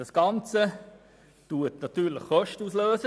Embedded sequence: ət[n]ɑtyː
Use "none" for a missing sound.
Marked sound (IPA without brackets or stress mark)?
n